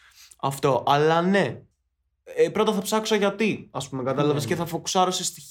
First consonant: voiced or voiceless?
voiceless